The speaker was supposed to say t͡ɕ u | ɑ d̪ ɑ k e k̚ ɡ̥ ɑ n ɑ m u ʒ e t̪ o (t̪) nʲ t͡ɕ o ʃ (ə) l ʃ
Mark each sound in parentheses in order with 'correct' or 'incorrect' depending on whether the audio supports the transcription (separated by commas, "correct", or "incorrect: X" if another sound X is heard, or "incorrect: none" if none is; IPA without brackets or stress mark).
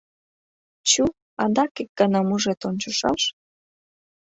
incorrect: none, incorrect: ɑ